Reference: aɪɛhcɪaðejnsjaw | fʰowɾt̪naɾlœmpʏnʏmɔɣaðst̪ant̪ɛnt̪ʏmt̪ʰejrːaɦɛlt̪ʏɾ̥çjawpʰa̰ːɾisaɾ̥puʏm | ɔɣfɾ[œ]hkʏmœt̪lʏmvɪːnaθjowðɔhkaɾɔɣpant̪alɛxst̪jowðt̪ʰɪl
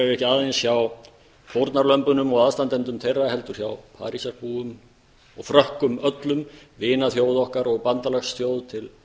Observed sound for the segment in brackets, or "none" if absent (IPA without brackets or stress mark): œ